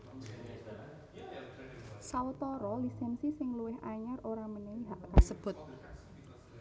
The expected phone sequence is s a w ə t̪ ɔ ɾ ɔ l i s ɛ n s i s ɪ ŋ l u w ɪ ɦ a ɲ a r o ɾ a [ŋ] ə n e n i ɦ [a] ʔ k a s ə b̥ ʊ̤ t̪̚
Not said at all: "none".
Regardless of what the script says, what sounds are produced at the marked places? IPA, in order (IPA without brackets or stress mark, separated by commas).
m, a